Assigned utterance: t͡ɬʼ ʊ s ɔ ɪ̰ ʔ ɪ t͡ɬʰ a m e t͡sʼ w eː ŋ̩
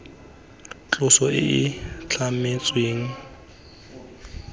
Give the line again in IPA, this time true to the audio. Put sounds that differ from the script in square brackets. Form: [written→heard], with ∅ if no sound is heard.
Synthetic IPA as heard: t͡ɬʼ ʊ s ɔ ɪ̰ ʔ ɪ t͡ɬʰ a m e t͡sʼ w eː ŋ̩